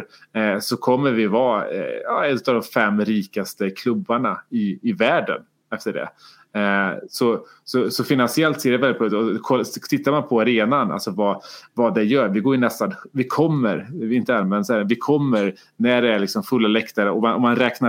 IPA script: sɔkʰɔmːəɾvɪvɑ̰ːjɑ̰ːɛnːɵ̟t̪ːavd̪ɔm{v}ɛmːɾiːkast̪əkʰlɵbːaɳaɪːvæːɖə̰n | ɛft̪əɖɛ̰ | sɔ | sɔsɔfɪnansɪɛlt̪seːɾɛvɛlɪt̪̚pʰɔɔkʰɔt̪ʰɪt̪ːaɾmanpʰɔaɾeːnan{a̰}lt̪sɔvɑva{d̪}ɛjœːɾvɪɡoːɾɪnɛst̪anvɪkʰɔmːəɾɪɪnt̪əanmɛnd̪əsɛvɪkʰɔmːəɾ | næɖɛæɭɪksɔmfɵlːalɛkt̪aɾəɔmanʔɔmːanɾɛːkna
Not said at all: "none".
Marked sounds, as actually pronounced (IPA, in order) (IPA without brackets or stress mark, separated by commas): f, a̰, d̪